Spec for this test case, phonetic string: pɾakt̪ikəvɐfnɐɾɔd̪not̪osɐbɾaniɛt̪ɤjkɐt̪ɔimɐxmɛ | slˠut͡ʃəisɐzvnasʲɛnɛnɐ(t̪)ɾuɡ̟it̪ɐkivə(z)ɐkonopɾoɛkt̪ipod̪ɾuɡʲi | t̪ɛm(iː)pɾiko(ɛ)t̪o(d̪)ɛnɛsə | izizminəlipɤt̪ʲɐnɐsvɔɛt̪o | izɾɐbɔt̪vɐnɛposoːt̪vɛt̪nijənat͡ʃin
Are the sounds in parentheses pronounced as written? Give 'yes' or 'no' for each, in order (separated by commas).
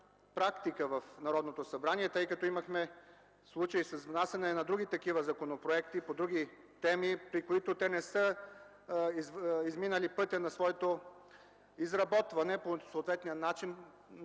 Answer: no, yes, no, no, no